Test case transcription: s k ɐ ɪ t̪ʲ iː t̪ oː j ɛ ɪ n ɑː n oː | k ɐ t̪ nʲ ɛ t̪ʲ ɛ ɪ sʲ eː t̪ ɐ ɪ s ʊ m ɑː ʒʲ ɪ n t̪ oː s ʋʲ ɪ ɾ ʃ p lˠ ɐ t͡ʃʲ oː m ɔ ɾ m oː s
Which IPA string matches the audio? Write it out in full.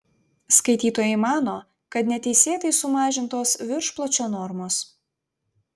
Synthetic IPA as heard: s k ɐ ɪ t̪ʲ iː t̪ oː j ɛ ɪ m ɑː n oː | k ɐ t̪ nʲ ɛ t̪ʲ ɛ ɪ sʲ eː t̪ ɐ ɪ s ʊ m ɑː ʒʲ ɪ n t̪ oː s ʋʲ ɪ ɾ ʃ p lˠ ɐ t͡ʃʲ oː n ɔ ɾ m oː s